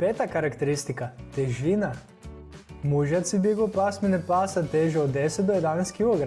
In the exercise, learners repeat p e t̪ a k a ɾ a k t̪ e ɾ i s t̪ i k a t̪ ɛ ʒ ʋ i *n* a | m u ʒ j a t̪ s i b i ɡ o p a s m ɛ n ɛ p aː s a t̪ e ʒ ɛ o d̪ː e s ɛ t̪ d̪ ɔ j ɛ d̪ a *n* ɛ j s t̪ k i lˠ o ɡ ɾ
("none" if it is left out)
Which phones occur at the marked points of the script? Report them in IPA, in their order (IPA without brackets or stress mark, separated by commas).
n, n